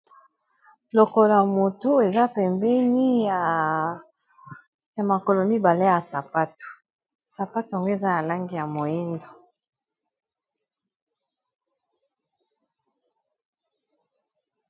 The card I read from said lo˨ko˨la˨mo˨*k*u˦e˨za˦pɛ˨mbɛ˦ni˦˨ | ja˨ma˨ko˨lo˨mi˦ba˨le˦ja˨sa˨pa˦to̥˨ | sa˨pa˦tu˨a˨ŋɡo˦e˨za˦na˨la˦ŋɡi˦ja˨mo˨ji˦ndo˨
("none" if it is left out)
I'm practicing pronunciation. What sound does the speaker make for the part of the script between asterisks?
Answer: t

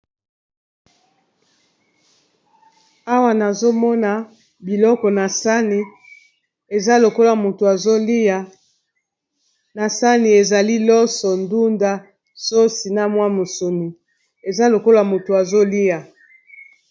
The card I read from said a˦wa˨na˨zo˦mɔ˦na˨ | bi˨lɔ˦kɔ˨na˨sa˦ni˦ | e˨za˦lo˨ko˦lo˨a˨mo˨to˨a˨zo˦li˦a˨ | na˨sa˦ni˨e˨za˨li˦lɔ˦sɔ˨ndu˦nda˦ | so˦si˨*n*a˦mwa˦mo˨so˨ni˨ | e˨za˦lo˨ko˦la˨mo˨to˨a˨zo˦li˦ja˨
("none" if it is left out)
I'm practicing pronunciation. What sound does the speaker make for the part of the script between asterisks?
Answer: n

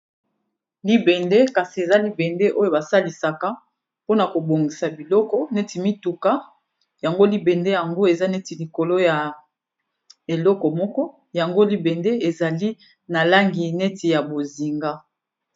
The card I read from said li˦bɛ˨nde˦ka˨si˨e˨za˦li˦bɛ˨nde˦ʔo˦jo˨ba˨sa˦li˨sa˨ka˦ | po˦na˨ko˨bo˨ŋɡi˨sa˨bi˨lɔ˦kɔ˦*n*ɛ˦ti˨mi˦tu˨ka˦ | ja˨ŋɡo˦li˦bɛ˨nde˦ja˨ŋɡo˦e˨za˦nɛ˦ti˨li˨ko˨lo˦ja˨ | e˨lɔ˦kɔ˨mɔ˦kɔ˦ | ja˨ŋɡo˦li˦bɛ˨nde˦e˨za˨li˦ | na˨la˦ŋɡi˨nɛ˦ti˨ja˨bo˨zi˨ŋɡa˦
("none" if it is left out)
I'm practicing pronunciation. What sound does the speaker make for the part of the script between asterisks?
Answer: n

